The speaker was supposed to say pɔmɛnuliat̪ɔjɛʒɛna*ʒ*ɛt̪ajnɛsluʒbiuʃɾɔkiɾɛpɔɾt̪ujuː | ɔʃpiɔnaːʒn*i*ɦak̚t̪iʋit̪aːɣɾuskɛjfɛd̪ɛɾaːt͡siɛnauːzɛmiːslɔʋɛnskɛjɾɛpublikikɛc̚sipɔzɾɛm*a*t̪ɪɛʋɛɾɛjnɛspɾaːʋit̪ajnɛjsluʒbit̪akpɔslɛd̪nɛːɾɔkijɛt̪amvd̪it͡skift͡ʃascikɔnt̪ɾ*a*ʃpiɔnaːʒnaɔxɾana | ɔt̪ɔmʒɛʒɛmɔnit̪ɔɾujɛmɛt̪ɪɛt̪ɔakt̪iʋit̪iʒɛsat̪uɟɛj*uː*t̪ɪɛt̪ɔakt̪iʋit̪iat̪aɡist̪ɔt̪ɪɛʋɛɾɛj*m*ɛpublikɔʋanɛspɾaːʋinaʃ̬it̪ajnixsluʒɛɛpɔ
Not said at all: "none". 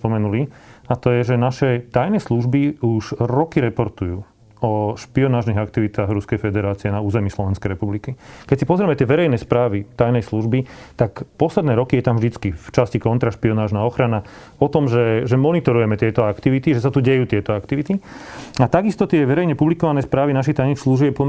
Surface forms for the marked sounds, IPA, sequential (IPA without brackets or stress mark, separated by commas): ʃ, i, ɛ, a, uː, ɲ